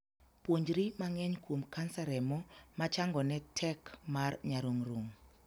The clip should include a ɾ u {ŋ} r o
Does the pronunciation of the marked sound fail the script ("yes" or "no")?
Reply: no